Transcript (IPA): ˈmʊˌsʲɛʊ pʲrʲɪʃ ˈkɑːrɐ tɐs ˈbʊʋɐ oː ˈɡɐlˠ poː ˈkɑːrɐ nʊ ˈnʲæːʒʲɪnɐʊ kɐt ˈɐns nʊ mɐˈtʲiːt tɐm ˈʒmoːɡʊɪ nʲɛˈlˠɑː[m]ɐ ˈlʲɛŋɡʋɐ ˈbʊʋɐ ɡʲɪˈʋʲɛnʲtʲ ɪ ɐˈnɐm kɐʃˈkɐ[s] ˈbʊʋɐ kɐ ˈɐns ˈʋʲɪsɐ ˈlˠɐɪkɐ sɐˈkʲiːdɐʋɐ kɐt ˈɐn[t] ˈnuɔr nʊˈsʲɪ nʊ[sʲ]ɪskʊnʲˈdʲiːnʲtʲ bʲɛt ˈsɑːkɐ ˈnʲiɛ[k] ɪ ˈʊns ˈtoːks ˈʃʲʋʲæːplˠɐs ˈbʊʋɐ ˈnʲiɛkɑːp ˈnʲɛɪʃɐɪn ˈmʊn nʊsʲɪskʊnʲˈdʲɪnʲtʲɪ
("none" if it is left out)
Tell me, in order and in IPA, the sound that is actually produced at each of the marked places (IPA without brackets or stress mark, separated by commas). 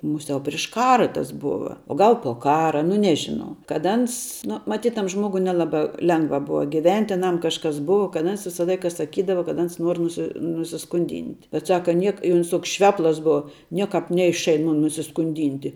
b, s, s, sʲ, k